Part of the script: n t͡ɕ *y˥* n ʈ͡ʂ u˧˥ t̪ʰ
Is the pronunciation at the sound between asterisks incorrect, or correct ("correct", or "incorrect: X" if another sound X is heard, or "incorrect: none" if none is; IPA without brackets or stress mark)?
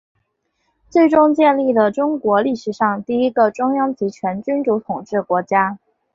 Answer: correct